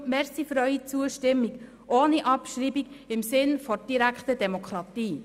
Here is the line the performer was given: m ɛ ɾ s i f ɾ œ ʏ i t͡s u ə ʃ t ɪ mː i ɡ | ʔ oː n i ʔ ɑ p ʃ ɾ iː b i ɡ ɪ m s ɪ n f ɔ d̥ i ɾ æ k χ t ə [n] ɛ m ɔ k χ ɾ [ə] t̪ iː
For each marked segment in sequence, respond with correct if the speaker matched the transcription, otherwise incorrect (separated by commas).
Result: incorrect, incorrect